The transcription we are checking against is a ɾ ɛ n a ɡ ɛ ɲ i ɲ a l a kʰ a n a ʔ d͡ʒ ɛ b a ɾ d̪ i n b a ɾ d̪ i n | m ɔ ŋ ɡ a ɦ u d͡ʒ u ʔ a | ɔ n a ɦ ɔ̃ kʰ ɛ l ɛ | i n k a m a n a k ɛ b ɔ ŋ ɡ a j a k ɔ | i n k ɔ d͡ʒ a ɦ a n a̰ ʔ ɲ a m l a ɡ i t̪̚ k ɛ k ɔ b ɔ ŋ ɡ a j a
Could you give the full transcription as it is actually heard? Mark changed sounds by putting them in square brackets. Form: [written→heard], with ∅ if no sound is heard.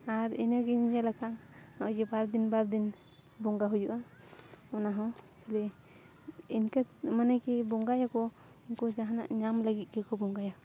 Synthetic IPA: a ɾ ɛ n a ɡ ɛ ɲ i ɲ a l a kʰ a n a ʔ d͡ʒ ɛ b a ɾ d̪ i n b a ɾ d̪ i n | [m→b] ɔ ŋ ɡ a ɦ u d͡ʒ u ʔ a | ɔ n a ɦ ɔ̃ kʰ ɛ l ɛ | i n k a m a n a k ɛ b ɔ ŋ ɡ a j a k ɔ | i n k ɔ d͡ʒ a ɦ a n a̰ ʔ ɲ a m l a ɡ i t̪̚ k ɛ k ɔ b ɔ ŋ ɡ a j a